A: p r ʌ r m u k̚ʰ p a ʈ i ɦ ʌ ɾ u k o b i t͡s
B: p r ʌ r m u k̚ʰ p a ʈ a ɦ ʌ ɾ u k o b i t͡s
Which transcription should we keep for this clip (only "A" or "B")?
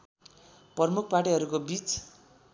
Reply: A